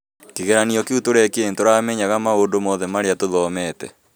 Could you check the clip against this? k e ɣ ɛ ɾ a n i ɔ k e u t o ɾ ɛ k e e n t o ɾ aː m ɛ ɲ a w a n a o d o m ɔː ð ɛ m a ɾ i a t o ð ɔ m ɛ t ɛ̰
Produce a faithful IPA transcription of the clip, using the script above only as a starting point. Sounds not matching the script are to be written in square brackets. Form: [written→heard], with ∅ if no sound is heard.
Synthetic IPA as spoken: k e ɣ ɛ ɾ a n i ɔ k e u t o ɾ ɛ k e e n t o ɾ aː m ɛ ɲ a [w→ɣ] a [n→m] a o d o m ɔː ð ɛ m a ɾ [i→e] a t o ð ɔ m ɛ t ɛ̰